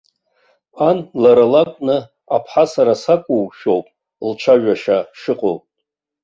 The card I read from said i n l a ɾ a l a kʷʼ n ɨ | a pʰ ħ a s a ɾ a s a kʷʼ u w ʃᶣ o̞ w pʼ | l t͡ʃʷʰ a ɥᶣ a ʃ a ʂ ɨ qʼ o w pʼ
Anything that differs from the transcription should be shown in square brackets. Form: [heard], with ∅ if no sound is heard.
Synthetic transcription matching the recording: [a] n l a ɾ a l a kʷʼ n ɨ | a pʰ ħ a s a ɾ a s a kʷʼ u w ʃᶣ o̞ w pʼ | l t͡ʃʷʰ a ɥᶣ a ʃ a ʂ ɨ qʼ o w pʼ